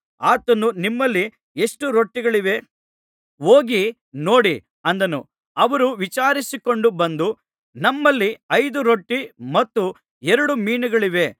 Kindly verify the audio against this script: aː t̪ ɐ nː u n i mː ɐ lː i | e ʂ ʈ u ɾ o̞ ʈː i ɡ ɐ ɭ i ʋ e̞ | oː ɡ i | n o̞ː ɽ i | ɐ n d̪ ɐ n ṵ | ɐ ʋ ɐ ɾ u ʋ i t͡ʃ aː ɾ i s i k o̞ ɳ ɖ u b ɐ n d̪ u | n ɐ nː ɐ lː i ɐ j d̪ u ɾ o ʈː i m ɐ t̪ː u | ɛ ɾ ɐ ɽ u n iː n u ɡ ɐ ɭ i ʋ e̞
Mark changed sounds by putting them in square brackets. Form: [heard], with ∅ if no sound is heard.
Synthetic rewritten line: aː t̪ ɐ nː u n i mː ɐ lː i | e ʂ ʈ u ɾ o̞ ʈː i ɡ ɐ ɭ i ʋ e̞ | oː ɡ i | n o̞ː ɽ i | ɐ n d̪ ɐ n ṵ | ɐ ʋ ɐ ɾ u ʋ i t͡ʃ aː ɾ i s i k o̞ ɳ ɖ u b ɐ n d̪ u | n ɐ [mː] ɐ lː i ɐ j d̪ u ɾ o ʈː i m ɐ t̪ː u | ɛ ɾ ɐ ɽ u [m] iː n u ɡ ɐ ɭ i ʋ e̞